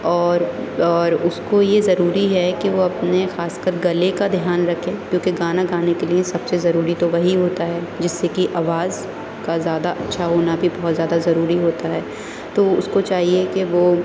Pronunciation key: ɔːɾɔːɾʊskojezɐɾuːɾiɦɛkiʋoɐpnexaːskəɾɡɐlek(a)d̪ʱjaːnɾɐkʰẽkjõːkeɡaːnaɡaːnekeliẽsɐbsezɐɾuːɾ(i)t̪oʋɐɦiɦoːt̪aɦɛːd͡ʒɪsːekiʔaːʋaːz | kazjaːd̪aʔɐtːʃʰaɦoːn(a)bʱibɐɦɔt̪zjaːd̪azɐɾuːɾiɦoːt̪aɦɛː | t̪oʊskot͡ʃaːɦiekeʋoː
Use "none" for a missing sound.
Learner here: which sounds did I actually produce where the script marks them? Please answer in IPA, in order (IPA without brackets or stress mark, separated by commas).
a, i, a